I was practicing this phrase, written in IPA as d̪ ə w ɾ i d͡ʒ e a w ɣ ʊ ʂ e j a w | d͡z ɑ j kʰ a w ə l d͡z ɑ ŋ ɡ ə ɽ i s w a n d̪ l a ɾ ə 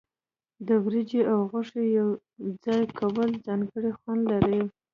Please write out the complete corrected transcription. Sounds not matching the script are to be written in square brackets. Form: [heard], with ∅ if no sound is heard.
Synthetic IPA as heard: d̪ ə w ɾ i d͡ʒ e a w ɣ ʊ ʂ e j a w | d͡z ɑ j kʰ a w ə l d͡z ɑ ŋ ɡ ə ɽ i [x] w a n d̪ l a ɾ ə